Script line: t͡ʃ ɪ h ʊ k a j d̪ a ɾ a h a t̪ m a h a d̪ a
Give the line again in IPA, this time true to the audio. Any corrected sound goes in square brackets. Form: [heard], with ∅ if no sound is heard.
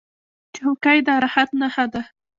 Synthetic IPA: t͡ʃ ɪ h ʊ k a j d̪ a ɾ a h a t̪ [n] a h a d̪ a

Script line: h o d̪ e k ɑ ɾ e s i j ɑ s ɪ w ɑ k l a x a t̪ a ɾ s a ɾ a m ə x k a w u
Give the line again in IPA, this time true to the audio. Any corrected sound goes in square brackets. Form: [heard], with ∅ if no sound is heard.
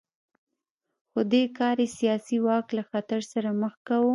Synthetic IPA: [x] o d̪ e k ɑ ɾ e s i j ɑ s [i] w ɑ k l a x a t̪ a ɾ s a ɾ a m ə x k a w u

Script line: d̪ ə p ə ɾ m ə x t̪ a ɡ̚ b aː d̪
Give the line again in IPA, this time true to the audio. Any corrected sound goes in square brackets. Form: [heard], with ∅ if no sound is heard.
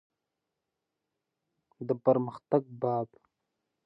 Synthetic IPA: d̪ ə p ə ɾ m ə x t̪ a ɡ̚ b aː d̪

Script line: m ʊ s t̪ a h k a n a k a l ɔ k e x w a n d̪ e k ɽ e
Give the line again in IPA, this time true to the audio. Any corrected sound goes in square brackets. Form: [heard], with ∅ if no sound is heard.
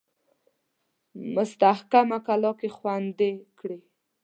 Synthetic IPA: m ʊ s t̪ a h k a [m] a k a l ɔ k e x w a n d̪ e k ɽ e

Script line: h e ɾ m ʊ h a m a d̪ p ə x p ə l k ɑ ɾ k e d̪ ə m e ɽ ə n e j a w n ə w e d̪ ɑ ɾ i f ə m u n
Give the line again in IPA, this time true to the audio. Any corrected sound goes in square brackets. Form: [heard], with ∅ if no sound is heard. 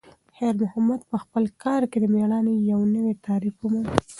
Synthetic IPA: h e ɾ m ʊ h a m a d̪ p ə x p ə l k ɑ ɾ k e d̪ ə m e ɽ [ɑ] n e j a w n ə w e [t̪] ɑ ɾ i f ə m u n

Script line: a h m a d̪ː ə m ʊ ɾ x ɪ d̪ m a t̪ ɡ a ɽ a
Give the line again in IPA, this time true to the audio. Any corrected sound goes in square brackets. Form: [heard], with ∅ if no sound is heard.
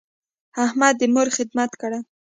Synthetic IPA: a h m a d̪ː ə m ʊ ɾ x ɪ d̪ m a t̪ [k] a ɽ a

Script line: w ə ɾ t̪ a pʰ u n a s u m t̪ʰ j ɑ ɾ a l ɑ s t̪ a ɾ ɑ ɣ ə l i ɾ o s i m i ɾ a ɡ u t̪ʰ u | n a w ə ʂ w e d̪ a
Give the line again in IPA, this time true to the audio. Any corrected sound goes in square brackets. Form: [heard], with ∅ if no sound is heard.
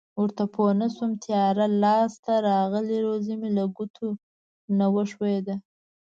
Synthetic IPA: w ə ɾ t̪ a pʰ [o] n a s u m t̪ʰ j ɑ ɾ a l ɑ s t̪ a ɾ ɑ ɣ ə l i ɾ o [z] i m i [l] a ɡ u t̪ʰ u | n a w ə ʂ w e d̪ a

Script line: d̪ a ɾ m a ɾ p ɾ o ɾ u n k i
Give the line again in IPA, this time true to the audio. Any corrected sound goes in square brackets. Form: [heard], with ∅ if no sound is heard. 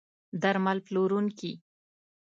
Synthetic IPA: d̪ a ɾ m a [l] p [l] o ɾ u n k i

